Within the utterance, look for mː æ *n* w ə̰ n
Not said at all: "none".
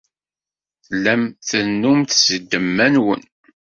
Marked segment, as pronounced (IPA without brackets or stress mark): n